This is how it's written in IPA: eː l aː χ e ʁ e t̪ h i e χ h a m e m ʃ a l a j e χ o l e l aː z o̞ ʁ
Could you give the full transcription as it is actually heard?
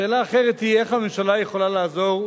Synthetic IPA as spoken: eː l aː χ e ʁ e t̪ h i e χ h a m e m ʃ a l a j e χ o l a l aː z o̞ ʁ